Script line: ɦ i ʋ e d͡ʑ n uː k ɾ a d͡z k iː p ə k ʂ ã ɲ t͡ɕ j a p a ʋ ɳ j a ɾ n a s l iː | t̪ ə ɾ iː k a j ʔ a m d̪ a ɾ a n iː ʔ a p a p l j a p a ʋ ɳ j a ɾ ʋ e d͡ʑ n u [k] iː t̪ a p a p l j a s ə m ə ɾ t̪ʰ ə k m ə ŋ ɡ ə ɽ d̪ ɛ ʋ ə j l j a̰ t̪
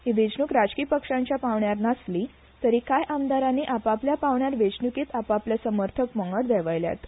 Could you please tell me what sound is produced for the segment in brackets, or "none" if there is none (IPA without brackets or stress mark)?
k